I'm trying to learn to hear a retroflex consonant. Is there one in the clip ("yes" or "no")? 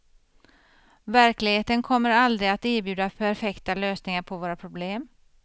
no